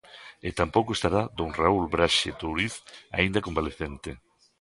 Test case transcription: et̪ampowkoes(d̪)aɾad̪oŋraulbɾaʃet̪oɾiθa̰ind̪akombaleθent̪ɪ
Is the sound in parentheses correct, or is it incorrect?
incorrect